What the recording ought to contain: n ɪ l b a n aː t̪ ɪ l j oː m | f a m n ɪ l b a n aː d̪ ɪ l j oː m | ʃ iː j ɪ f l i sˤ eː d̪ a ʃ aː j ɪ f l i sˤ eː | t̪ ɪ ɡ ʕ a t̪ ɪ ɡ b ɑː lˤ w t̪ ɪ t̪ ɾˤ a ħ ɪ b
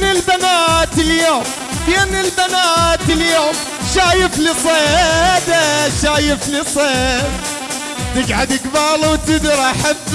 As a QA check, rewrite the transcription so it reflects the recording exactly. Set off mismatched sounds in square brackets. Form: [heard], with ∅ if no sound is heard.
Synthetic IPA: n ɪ l b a n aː t̪ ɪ l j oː m | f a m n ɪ l b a n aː [t̪] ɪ l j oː m | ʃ [aː] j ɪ f l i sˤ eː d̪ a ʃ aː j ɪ f l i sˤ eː | t̪ ɪ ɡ ʕ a [d̪] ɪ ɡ b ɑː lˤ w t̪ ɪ [d̪] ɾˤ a ħ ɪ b